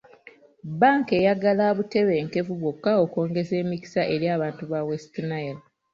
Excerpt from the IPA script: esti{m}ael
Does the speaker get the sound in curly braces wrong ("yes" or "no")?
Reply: yes